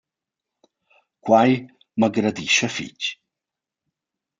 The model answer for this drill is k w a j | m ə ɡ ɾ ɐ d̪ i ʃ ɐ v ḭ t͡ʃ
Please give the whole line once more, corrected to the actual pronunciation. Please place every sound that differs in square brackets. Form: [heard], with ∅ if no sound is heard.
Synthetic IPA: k w a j | m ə ɡ ɾ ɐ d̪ i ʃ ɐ [f] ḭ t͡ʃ